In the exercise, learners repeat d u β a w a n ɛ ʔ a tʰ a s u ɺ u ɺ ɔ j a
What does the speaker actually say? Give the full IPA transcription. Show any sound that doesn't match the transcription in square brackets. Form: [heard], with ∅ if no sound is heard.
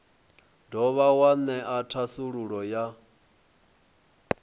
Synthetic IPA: d [ɔ] β a w a n ɛ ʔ a tʰ a s u ɺ u ɺ ɔ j a